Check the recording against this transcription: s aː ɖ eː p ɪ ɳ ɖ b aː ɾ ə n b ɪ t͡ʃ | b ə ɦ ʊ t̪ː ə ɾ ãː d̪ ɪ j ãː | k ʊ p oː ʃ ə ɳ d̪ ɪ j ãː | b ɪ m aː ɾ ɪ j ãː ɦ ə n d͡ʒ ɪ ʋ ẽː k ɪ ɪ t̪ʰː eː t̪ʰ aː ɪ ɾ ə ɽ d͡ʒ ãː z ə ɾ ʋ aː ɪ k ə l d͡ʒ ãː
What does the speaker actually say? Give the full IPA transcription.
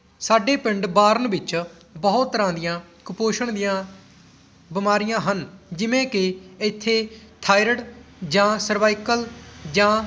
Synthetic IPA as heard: s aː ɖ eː p ɪ ɳ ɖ b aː ɾ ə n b ɪ t͡ʃ | b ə ɦ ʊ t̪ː ə ɾ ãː d̪ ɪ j ãː | k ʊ p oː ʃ ə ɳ d̪ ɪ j ãː | b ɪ m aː ɾ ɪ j ãː ɦ ə n d͡ʒ ɪ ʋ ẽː k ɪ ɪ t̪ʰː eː t̪ʰ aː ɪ ɾ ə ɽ d͡ʒ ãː s ə ɾ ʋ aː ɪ k ə l d͡ʒ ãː